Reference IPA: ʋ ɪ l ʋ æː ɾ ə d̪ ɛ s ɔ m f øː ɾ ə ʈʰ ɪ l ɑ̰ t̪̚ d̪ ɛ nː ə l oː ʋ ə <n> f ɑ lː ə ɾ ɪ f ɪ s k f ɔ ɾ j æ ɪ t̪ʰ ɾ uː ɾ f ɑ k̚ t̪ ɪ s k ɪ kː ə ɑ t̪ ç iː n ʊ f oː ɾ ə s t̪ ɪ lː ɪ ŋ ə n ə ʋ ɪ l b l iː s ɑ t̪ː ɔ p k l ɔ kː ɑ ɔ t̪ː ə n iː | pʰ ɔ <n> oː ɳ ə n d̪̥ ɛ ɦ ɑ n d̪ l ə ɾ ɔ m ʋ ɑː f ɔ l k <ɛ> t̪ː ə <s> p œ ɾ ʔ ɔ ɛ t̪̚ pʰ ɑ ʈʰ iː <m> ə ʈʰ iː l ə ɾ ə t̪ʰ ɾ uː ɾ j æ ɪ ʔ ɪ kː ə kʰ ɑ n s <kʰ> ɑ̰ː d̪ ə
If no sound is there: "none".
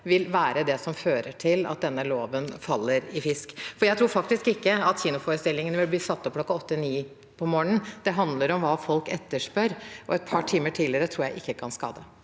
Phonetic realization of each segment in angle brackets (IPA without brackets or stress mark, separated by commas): n, m, ɛ, ʂ, m, k